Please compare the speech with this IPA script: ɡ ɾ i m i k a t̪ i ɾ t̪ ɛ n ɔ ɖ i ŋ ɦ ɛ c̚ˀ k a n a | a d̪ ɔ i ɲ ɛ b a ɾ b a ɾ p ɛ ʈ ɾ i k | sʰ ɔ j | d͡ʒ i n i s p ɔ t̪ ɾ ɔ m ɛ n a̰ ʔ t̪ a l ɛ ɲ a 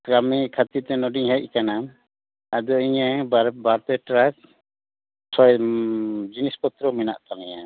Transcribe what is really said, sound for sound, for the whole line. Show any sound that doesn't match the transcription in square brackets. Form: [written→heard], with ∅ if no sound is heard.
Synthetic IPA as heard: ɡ ɾ [i→a] m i [k→kʰ] a t̪ i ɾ t̪ ɛ n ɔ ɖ i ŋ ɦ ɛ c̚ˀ k a n a | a d̪ ɔ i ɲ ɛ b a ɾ b a ɾ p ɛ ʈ ɾ [i→a] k | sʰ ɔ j | d͡ʒ i n i s p ɔ t̪ ɾ ɔ m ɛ n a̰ ʔ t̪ a l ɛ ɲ a